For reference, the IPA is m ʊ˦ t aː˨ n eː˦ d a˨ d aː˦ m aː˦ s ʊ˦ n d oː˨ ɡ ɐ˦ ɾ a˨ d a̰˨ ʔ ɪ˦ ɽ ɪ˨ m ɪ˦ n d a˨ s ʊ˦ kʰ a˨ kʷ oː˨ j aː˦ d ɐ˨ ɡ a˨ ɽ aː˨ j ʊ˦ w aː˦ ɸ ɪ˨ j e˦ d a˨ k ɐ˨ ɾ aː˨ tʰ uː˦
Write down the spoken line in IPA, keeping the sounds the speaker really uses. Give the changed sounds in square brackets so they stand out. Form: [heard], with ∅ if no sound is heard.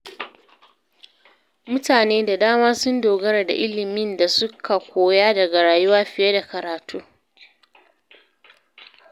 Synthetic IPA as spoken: m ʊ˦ t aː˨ n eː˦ d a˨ d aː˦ m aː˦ s ʊ˦ n d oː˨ ɡ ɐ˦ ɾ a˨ d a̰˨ ʔ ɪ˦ [l] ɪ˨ m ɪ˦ n d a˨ s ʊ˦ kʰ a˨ kʷ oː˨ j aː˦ d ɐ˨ ɡ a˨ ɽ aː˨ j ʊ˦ w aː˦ ɸ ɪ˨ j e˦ d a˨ k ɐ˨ ɾ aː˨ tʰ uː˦

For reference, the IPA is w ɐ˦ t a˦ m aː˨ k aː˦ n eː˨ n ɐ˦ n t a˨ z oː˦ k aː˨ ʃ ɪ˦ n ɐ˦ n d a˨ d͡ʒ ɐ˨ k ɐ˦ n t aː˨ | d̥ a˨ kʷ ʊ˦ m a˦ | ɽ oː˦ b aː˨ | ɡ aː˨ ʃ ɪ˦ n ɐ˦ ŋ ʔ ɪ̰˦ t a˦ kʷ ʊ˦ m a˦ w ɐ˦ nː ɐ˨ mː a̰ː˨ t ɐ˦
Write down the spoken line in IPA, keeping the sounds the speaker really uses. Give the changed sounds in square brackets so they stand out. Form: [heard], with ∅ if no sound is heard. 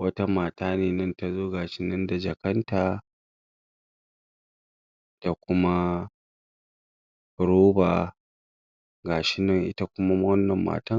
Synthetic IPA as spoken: w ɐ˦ t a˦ m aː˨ [t] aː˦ n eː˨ n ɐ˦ n t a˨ z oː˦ [ɡ] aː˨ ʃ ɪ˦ n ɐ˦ n d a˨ d͡ʒ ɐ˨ k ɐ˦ n t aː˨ | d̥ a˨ kʷ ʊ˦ m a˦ | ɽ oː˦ b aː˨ | ɡ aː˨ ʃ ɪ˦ n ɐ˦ ŋ ʔ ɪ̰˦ t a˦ kʷ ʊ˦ m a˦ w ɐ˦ nː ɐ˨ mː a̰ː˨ t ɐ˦

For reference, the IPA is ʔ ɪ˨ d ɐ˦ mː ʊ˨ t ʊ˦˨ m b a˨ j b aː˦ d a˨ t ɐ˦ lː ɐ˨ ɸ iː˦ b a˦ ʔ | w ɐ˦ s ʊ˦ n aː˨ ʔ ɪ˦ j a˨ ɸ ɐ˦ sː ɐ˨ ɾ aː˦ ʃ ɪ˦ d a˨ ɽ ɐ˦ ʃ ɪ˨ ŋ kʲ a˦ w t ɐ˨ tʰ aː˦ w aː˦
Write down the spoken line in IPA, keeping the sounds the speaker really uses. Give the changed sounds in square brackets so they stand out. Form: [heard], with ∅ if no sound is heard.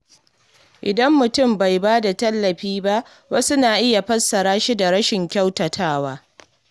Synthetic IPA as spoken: ʔ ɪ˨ d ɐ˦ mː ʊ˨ t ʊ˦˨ m b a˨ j b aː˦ d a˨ t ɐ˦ lː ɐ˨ ɸ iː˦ b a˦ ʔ | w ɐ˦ s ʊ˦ n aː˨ ʔ ɪ˦ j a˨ ɸ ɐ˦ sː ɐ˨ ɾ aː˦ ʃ [i˦] d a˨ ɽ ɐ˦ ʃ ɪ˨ ŋ kʲ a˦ w t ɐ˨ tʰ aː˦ w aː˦

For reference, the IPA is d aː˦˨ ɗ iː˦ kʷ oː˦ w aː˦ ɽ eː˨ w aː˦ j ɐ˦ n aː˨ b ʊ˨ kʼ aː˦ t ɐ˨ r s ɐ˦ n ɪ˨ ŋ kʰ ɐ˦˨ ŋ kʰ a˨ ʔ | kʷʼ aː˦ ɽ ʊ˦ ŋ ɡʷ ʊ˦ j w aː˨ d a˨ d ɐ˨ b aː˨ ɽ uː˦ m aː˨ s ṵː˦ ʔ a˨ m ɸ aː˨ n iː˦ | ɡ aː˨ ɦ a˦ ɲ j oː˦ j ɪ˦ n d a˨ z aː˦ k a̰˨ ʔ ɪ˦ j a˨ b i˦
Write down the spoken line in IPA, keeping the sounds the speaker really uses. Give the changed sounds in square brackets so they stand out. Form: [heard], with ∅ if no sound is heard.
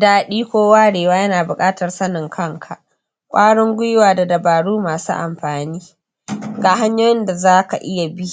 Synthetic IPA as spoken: d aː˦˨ ɗ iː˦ kʷ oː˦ w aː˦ ɽ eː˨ w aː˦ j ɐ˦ n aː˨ b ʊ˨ kʼ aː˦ t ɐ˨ r s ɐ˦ n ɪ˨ ŋ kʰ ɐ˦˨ ŋ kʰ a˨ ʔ | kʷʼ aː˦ ɽ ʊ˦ ŋ ɡʷ ʊ˦ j w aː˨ d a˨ d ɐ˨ b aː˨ ɽ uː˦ m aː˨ s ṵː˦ ʔ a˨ m ɸ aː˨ n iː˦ | ɡ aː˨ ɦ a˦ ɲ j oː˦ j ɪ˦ n d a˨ z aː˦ k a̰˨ ʔ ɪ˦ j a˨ b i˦

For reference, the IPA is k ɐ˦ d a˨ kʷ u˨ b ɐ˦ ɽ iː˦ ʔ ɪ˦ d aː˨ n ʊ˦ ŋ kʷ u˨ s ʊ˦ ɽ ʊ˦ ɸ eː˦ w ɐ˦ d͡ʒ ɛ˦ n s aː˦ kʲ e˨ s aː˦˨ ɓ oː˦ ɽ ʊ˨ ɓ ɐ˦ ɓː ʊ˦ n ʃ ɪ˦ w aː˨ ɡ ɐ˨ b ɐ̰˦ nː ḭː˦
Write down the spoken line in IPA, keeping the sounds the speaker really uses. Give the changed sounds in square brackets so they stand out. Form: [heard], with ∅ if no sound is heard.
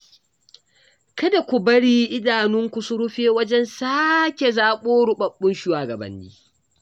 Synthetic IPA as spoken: k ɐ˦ d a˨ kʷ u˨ b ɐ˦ ɽ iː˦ ʔ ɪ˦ d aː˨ n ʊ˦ ŋ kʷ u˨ s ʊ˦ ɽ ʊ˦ ɸ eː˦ w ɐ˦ d͡ʒ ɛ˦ n s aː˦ kʲ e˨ [z] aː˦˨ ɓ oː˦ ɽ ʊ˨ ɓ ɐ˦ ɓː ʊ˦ n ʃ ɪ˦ w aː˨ ɡ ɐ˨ b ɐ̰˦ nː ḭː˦

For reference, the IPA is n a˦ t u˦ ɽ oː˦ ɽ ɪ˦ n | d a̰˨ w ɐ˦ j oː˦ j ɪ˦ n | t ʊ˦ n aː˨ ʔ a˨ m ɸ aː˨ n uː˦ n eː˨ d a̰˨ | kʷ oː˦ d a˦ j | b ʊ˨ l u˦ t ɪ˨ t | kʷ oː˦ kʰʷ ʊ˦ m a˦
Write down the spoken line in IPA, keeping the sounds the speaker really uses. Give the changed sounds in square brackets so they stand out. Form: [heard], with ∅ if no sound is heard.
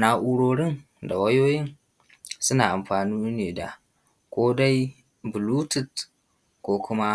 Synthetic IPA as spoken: n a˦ [ʔ] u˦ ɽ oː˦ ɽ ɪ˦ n | d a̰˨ w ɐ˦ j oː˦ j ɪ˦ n | [s] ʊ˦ n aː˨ ʔ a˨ m ɸ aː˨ n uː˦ n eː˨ d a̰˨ | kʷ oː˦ d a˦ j | b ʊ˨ l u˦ t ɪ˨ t | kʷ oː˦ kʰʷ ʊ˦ m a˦

